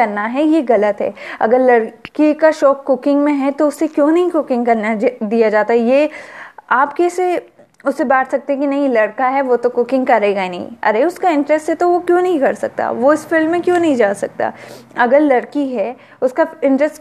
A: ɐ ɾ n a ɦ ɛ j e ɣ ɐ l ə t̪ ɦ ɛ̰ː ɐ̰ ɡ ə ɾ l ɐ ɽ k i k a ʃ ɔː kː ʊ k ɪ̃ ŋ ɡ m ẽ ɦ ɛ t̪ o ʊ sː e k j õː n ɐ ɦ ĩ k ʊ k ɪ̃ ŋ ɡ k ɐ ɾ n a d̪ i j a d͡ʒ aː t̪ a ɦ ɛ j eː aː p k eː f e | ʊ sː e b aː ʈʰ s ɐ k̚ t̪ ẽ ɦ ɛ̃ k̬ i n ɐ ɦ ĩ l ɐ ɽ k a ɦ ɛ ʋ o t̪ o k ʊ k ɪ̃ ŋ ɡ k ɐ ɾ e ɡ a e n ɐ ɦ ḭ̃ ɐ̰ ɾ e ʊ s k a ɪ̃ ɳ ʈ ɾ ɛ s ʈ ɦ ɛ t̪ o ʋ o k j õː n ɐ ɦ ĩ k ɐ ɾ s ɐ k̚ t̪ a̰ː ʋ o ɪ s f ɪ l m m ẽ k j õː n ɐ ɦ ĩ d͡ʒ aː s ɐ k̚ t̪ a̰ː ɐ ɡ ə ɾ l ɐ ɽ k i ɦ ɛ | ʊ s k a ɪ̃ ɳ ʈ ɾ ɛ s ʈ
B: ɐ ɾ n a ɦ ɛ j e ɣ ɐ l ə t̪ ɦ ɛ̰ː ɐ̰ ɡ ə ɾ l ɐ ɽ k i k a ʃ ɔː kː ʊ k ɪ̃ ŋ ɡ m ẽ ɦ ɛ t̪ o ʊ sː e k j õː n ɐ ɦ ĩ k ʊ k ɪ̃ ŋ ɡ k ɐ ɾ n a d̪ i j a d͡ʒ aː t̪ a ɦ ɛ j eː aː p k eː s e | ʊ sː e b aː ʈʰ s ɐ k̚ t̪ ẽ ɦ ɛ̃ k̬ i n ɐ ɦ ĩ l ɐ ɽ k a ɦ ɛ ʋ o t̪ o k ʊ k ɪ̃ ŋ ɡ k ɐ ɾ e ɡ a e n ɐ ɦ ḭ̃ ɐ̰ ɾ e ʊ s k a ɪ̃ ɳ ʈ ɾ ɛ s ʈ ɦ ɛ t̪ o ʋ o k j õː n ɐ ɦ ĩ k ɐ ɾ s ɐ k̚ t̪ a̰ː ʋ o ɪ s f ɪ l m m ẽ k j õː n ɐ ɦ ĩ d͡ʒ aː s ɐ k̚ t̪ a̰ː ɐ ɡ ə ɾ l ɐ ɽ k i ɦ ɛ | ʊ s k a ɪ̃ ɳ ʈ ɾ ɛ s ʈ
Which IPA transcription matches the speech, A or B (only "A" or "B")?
B